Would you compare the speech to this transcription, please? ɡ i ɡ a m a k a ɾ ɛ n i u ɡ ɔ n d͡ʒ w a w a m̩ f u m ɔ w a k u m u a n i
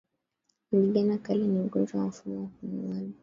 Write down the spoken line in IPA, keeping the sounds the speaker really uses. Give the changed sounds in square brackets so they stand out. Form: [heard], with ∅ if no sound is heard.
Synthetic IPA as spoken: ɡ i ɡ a [n] a k a [l] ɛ n i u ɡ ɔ n d͡ʒ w a w a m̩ f u m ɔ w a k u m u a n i